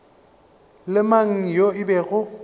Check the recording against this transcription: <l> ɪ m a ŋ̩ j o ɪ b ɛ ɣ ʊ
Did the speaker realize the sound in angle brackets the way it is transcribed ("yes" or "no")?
yes